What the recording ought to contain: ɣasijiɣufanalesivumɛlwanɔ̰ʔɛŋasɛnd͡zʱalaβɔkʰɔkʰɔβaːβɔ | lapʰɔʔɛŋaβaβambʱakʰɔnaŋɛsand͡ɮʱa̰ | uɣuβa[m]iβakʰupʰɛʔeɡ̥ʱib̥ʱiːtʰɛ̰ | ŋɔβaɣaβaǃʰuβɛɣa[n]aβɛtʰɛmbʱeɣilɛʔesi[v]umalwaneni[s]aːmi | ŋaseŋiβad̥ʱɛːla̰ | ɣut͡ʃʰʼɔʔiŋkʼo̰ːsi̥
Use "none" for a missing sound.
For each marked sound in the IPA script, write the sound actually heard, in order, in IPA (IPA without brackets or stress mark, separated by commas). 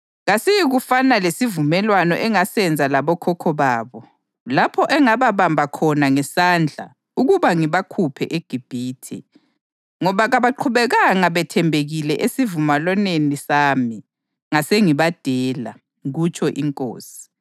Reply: ŋ, ŋ, v, s